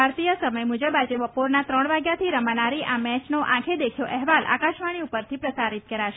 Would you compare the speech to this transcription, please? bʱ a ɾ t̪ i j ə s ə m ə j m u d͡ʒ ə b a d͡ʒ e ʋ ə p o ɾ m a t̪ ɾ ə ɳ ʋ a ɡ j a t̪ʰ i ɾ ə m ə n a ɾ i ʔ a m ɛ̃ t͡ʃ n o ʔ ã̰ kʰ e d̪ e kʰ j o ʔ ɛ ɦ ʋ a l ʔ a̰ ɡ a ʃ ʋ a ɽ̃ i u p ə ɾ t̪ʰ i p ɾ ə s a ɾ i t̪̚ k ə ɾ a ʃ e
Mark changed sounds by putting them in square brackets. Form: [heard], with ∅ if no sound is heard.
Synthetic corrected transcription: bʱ a ɾ t̪ i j ə s ə m ə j m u d͡ʒ ə b a d͡ʒ e ʋ ə p o ɾ [n] a t̪ ɾ ə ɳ ʋ a ɡ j a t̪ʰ i ɾ ə m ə n a ɾ i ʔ a m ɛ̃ t͡ʃ n o ʔ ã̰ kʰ e d̪ e kʰ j o ʔ ɛ ɦ ʋ a l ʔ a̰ [k] a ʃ ʋ a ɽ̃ i u p ə ɾ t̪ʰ i p ɾ ə s a ɾ i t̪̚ k ə ɾ a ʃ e